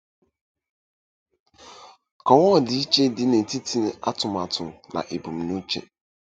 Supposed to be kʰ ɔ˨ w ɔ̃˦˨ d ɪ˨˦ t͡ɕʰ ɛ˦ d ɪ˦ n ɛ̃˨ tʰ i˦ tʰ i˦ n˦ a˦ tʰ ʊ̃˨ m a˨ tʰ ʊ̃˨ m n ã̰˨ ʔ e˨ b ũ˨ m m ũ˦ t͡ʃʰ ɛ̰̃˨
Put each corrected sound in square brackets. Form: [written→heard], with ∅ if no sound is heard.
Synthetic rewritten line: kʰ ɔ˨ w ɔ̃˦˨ d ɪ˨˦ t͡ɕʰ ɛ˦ d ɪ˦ n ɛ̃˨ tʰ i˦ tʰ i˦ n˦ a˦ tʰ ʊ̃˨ m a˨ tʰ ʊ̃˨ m n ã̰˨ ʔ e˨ b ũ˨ m [m→n] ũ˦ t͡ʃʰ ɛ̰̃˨